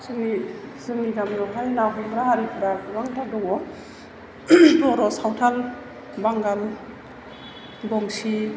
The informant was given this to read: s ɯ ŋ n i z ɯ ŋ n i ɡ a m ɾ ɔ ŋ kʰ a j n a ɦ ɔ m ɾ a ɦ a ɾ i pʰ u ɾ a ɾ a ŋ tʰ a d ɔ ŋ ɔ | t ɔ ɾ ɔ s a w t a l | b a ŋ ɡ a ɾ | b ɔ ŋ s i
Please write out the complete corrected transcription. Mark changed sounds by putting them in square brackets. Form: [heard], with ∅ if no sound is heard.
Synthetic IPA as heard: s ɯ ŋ n i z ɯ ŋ n i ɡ a m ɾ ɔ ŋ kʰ a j n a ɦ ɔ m ɾ a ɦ a ɾ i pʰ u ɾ a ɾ a ŋ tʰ a d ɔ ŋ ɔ | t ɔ ɾ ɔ s a w [tʰ] a l | b a ŋ ɡ a [l] | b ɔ ŋ s i